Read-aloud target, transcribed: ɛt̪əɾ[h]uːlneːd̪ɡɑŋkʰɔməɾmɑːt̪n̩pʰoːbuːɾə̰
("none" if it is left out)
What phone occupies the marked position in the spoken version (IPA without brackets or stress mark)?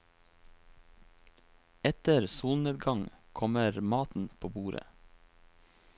s